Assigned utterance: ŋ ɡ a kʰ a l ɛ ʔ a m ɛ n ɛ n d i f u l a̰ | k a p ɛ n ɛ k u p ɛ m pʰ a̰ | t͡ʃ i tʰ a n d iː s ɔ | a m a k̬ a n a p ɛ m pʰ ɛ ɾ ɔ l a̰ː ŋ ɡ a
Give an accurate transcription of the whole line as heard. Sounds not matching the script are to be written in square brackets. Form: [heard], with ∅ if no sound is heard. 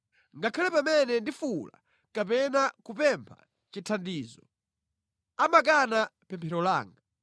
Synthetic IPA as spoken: ŋ ɡ a kʰ a l ɛ [p] a m ɛ n ɛ n d i f u l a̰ | k a p ɛ n [a] k u p ɛ m pʰ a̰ | t͡ʃ i tʰ a n d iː [z] ɔ | a m a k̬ a n a p ɛ m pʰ ɛ ɾ ɔ l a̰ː ŋ ɡ a